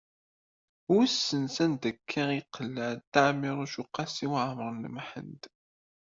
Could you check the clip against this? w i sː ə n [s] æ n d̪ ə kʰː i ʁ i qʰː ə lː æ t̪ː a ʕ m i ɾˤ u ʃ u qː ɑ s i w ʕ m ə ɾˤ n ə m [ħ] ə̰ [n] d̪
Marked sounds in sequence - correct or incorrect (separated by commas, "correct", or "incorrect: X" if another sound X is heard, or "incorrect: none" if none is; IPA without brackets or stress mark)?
correct, correct, correct